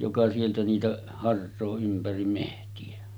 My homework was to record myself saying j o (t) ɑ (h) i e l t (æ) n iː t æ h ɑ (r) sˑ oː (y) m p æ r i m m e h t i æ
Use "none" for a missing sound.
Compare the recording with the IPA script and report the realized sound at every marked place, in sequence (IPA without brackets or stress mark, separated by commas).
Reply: k, s, æ, r, y